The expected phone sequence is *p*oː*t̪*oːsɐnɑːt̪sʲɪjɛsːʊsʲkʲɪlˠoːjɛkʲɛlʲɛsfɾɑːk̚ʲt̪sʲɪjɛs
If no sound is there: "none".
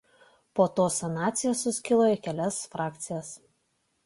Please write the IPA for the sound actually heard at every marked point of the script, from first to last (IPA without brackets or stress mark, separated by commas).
p, t̪